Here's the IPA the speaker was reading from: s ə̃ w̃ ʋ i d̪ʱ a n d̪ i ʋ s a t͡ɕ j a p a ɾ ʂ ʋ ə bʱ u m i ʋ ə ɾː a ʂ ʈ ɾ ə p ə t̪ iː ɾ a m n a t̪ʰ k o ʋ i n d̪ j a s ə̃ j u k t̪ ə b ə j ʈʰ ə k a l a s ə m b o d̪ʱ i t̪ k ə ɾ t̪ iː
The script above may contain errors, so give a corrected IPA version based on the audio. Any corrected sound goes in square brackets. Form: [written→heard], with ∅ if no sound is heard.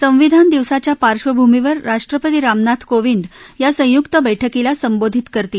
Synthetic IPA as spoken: s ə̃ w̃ ʋ i d̪ʱ a n d̪ i ʋ s a t͡ɕ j a p a ɾ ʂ ʋ ə bʱ u m i ʋ ə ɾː a ʂ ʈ ɾ ə p ə t̪ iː ɾ a m n a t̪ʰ k o ʋ i n d̪ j a s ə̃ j u k t̪ ə b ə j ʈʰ ə k [a→i] l a s ə m b o d̪ʱ i t̪ k ə ɾ t̪ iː

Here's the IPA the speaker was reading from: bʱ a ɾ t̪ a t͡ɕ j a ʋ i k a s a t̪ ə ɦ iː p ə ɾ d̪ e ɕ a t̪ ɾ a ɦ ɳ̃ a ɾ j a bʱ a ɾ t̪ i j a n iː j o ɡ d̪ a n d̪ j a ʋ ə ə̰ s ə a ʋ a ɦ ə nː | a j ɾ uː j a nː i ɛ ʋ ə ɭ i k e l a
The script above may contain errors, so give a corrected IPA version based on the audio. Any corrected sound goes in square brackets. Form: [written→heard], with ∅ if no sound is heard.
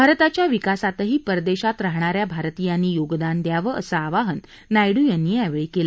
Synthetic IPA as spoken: bʱ a ɾ t̪ a t͡ɕ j a ʋ i k a s a t̪ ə ɦ iː p ə ɾ d̪ e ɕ a t̪ ɾ a ɦ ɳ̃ a ɾ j a bʱ a ɾ t̪ i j a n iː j o ɡ d̪ a n d̪ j a ʋ ə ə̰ s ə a ʋ a ɦ ə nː | a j [ɾ→ɽ] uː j a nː i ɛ ʋ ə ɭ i k e l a

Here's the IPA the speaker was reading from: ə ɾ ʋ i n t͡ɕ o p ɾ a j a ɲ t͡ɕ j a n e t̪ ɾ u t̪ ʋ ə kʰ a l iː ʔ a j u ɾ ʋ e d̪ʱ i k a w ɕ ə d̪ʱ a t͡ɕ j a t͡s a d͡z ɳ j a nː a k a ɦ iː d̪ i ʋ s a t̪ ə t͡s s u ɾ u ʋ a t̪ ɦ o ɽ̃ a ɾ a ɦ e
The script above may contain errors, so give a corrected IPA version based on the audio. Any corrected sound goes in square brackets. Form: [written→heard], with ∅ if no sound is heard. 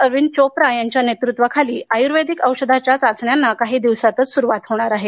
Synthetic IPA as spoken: ə ɾ ʋ i n t͡ɕ o p ɾ a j a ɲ t͡ɕ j a n e t̪ ɾ u t̪ ʋ ə kʰ a l iː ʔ a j u ɾ ʋ e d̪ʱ i k [a→ə] w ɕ ə d̪ʱ a t͡ɕ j a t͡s a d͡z ɳ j a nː a k a ɦ iː d̪ i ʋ s a t̪ ə t͡s s u ɾ u ʋ a t̪ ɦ o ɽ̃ a ɾ a ɦ e

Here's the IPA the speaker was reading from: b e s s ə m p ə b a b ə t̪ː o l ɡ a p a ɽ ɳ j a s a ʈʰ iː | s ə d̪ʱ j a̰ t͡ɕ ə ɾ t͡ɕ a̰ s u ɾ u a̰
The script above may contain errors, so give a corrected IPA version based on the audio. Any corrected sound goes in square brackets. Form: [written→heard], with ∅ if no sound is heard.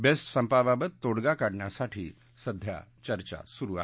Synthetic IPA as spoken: b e s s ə m p [ə→a] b a b ə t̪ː o [l→ɽ] ɡ a [p→k] a ɽ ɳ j a s a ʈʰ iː | s ə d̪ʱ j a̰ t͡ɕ ə ɾ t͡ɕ a̰ s u ɾ u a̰

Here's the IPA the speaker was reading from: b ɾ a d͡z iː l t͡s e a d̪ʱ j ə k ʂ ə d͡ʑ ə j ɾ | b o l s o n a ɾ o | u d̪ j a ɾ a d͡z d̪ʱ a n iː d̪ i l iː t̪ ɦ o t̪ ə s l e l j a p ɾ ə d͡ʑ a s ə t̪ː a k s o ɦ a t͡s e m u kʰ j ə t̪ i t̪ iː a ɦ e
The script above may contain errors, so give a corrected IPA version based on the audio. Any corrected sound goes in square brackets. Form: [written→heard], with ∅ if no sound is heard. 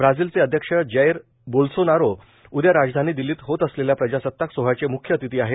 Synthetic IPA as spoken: b ɾ a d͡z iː l t͡s e [a→ə] d̪ʱ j ə k ʂ ə d͡ʑ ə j ɾ | b o l s o n a ɾ o | u d̪ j a ɾ a d͡z d̪ʱ a n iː d̪ i l iː t̪ ɦ o t̪ ə s l e l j a p ɾ ə d͡ʑ a s ə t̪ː a k s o ɦ a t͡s e m u kʰ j ə t̪ i t̪ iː a ɦ e

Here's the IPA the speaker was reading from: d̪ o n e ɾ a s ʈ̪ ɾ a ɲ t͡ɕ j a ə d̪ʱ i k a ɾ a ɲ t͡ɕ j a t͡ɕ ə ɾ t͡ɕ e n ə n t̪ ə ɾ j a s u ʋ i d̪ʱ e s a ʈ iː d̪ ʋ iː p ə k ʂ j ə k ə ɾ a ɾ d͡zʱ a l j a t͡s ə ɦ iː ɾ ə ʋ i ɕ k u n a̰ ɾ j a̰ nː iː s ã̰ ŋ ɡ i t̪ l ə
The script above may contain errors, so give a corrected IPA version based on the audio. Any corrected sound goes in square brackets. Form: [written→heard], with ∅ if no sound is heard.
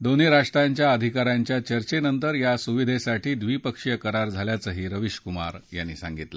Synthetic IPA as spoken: d̪ o n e ɾ a [s→ʂ] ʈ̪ ɾ a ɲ t͡ɕ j a ə d̪ʱ i k a ɾ a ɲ t͡ɕ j a t͡ɕ ə ɾ t͡ɕ e n ə n t̪ ə ɾ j a s u ʋ i d̪ʱ e s a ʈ iː d̪ ʋ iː p ə k ʂ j ə k ə ɾ a ɾ d͡zʱ a l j a t͡s ə ɦ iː ɾ ə ʋ i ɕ k u [n→m] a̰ ɾ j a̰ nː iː s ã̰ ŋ ɡ i t̪ l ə

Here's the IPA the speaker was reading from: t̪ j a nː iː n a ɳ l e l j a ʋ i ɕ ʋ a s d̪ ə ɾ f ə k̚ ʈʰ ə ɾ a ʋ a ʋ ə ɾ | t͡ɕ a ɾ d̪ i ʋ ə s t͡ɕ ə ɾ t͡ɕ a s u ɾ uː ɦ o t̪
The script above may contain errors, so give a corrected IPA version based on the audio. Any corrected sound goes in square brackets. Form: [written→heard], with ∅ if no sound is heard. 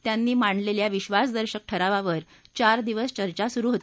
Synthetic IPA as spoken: t̪ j a nː iː [n→m] a ɳ l e l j a ʋ i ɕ ʋ a s d̪ ə ɾ [f→ɕ] ə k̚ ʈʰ ə ɾ a ʋ a ʋ ə ɾ | t͡ɕ a ɾ d̪ i ʋ ə s t͡ɕ ə ɾ t͡ɕ a s u ɾ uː ɦ o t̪

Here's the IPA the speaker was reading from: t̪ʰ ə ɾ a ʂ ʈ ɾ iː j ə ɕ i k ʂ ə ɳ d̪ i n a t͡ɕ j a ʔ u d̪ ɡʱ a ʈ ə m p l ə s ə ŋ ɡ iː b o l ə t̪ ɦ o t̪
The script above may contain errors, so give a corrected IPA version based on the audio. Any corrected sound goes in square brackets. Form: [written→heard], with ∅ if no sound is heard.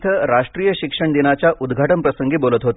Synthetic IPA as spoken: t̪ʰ ə ɾ a ʂ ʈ ɾ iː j ə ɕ i k ʂ ə ɳ d̪ i n a t͡ɕ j a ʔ u d̪ ɡʱ a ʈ ə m p [l→ɾ] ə s ə ŋ ɡ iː b o l ə t̪ ɦ o t̪

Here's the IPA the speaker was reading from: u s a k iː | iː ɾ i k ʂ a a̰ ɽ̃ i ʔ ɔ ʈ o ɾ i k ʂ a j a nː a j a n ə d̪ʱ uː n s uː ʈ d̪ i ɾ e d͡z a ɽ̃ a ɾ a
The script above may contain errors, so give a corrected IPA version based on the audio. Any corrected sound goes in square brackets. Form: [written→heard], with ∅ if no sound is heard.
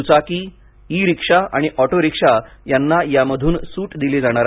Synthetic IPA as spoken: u [s→t͡s] a k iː | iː ɾ i k ʂ a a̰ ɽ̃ i ʔ ɔ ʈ o ɾ i k ʂ a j a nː a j a [n→m] ə d̪ʱ uː n s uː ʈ d̪ i [ɾ→l] e d͡z a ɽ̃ a ɾ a

